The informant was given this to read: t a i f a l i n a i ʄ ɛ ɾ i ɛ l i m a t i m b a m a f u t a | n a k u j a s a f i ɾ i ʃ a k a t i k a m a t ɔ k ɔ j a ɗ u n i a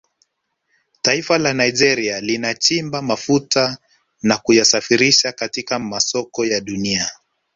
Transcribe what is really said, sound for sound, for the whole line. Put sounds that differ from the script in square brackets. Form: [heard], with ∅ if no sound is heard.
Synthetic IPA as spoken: t a i f a l [a] n a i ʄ ɛ ɾ i [a] l i [n] a [t͡ʃ] i m b a m a f u t a | n a k u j a s a f i ɾ i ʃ a k a t i k a m a [s] ɔ k ɔ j a ɗ u n i a